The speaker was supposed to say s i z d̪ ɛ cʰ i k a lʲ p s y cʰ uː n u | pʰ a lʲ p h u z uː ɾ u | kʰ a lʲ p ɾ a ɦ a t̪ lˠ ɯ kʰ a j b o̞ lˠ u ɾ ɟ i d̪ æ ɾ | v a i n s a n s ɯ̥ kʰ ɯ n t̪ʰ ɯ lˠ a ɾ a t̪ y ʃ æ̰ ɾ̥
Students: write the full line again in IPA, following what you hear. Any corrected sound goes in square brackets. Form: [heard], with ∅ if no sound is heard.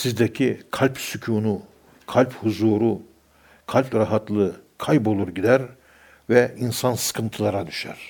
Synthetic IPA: s i z d̪ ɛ cʰ i [kʰ] a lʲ p s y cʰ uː n u | [kʰ] a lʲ p h u z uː ɾ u | kʰ a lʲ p ɾ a ɦ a t̪ lˠ ɯ kʰ a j b o̞ lˠ u ɾ ɟ i d̪ æ ɾ | v [ɛ] i n s a n s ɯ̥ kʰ ɯ n t̪ʰ ɯ lˠ a ɾ a [d̪] y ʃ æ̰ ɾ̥